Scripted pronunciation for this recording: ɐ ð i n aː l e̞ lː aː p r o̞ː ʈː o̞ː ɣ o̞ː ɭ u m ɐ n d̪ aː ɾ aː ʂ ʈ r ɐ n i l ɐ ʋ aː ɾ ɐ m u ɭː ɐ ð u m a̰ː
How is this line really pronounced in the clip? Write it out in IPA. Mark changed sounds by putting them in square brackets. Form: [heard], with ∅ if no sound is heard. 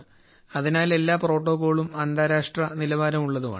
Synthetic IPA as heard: ɐ ð i n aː l e̞ lː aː p r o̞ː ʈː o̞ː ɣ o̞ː ɭ u m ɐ n d̪ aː ɾ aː ʂ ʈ r ɐ n i l ɐ ʋ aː ɾ ɐ m u ɭː ɐ ð u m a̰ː